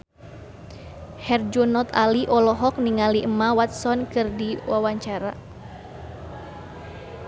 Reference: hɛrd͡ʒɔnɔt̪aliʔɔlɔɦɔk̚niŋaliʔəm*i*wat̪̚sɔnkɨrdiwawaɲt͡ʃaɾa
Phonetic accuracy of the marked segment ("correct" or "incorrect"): incorrect